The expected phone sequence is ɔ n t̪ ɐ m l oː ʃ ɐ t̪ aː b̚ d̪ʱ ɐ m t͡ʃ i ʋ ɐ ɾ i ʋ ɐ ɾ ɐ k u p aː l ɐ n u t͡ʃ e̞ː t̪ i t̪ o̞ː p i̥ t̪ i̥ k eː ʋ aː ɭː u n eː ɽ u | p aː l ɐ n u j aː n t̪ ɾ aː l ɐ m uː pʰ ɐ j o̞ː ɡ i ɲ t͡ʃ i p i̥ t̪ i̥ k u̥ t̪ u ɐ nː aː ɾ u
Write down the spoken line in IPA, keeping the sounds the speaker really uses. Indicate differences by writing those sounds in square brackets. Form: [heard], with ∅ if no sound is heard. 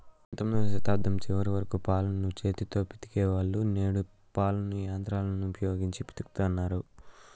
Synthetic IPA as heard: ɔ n t̪ ɐ m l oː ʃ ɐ t̪ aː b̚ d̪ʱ ɐ m t͡ʃ i ʋ ɐ ɾ i ʋ ɐ ɾ ɐ k u p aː l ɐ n u t͡ʃ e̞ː t̪ i t̪ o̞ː p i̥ t̪ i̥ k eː ʋ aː ɭː u n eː ɽ u | p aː l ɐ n u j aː n t̪ ɾ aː l ɐ [n] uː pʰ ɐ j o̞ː ɡ i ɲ t͡ʃ i p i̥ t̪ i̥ k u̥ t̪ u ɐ nː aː ɾ u